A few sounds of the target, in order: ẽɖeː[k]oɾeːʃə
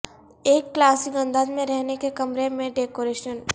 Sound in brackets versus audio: correct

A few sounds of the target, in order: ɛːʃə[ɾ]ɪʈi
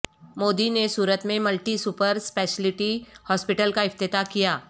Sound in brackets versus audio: incorrect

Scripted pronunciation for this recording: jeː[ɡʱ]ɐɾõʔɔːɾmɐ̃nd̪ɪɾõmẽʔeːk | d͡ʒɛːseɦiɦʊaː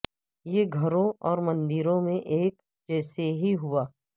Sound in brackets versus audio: correct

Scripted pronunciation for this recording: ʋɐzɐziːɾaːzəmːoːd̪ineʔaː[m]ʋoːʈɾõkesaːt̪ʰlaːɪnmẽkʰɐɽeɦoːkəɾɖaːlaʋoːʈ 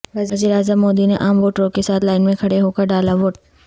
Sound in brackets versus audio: correct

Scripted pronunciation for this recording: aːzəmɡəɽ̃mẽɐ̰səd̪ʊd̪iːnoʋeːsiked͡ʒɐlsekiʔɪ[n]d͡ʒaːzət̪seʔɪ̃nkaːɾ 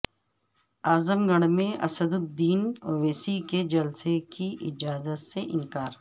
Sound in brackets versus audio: incorrect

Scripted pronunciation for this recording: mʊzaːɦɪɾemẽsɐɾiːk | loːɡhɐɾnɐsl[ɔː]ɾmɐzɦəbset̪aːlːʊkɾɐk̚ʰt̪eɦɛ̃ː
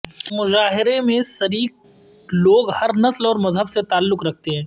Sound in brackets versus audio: correct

